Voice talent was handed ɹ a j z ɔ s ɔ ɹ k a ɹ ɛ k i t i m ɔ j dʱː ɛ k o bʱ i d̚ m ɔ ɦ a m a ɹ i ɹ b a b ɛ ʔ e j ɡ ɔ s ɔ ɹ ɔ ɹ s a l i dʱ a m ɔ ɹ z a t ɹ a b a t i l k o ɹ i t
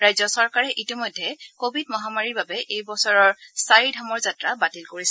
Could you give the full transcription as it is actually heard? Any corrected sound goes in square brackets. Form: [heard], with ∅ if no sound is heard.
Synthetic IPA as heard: ɹ a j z ɔ s ɔ ɹ k a ɹ ɛ [ʔ] i t i m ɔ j dʱː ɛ k o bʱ i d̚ m ɔ ɦ a m a ɹ i ɹ b a b ɛ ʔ e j [b] ɔ s ɔ ɹ ɔ ɹ s a [ɹ] i dʱ a m ɔ ɹ z a t ɹ a b a t i l k o ɹ i [s]